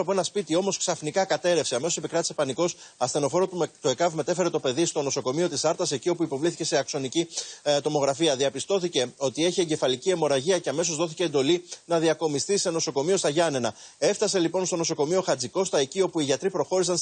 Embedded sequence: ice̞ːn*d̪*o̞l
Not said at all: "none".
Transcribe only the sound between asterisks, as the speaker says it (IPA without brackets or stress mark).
d̪